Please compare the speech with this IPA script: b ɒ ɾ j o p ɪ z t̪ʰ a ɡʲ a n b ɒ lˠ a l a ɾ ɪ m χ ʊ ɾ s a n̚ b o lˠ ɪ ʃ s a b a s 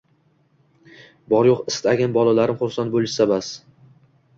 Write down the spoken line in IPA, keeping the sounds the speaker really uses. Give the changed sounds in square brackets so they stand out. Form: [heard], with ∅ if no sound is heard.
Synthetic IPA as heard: b ɒ ɾ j o [q] ɪ [s] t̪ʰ a ɡʲ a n b ɒ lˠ a l a ɾ ɪ m χ ʊ ɾ s a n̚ b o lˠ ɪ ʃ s a b a s